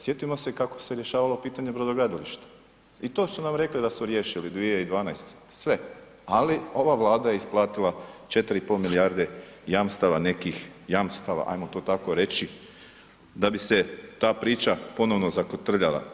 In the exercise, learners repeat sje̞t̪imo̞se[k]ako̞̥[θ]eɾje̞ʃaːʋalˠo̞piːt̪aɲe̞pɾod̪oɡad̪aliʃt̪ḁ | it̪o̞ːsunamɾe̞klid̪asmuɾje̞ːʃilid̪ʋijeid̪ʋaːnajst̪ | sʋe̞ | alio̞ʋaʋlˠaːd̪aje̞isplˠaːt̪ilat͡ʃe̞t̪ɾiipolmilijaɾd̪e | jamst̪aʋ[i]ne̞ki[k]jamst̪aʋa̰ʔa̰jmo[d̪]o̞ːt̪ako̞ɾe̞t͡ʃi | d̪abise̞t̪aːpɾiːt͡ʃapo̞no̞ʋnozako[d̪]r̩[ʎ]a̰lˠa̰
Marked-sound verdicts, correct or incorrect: correct, incorrect: s, incorrect: a, incorrect: x, incorrect: t̪, incorrect: t̪, correct

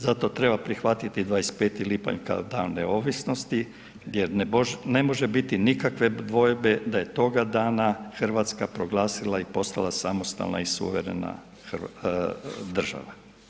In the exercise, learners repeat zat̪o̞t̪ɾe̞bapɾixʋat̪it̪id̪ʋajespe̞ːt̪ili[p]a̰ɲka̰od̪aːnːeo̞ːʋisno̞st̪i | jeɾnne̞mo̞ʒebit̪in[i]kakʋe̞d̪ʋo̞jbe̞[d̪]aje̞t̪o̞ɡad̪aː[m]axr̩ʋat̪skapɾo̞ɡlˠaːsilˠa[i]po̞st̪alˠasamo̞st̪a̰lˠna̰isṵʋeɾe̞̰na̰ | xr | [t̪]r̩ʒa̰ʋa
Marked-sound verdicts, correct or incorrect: correct, correct, correct, incorrect: n, correct, incorrect: d̪

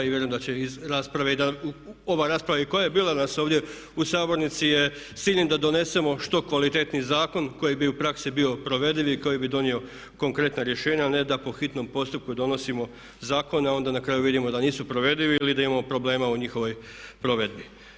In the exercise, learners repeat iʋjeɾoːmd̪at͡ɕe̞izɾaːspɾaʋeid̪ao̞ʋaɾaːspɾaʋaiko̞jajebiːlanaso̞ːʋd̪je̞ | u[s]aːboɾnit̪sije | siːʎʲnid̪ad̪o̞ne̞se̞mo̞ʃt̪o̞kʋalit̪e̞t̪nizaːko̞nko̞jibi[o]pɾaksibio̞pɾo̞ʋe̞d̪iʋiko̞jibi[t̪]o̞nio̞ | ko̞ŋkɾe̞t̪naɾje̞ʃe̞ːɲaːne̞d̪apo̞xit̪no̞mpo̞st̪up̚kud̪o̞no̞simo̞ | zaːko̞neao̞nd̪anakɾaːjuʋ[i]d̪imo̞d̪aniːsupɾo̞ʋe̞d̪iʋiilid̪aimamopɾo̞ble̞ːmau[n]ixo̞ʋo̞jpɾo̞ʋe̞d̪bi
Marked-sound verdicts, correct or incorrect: correct, incorrect: u, incorrect: d̪, correct, incorrect: ɲ

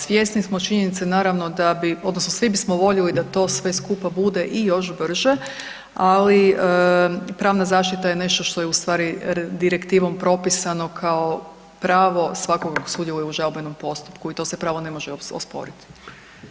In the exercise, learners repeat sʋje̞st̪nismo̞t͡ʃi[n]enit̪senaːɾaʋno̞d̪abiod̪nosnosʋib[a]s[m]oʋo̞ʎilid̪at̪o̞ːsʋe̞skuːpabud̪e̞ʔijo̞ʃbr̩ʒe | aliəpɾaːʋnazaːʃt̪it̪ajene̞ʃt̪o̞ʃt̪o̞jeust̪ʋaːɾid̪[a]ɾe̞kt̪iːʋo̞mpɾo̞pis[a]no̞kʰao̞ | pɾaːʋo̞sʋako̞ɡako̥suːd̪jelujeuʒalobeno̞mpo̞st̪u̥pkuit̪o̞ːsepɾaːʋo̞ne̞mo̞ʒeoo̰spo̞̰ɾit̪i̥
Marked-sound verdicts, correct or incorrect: incorrect: ɲ, incorrect: i, correct, incorrect: i, correct

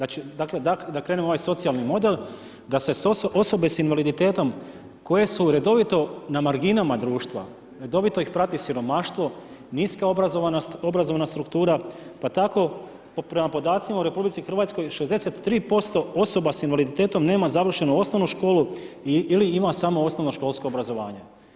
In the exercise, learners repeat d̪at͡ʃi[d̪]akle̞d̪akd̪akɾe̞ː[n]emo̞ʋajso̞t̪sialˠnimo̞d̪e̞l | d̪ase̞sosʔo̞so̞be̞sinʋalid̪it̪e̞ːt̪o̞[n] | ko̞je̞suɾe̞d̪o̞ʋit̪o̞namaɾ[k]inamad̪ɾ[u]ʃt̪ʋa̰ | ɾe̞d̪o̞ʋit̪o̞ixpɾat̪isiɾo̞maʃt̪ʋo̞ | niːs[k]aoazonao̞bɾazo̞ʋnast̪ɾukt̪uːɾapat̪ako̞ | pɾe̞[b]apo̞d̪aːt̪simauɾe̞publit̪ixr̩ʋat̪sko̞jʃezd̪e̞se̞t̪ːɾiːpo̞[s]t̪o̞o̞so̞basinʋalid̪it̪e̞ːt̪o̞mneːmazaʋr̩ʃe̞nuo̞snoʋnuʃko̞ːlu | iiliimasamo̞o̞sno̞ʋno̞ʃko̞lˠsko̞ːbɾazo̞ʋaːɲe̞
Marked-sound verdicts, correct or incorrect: correct, correct, incorrect: m, incorrect: ɡ, incorrect: uː, correct, incorrect: m, correct

